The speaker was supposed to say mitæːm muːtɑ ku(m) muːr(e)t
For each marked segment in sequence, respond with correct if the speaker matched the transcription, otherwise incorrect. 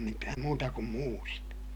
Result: correct, incorrect: i

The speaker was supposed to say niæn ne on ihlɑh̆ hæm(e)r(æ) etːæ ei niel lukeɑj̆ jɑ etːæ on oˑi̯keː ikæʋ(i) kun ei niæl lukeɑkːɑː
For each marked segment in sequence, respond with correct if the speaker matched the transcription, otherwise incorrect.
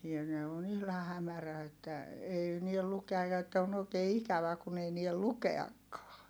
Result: incorrect: æ, correct, incorrect: æ

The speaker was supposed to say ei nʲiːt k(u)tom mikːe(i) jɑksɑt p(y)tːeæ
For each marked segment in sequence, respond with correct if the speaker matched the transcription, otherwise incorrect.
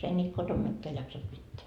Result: incorrect: o, incorrect: æ, incorrect: i

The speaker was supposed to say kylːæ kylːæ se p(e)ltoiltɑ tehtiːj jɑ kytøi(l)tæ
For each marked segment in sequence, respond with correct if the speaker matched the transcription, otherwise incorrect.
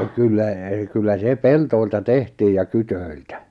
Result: correct, correct

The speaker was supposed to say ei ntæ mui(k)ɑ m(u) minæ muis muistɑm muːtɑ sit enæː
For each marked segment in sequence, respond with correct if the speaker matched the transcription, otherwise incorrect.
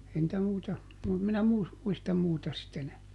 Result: incorrect: t, correct

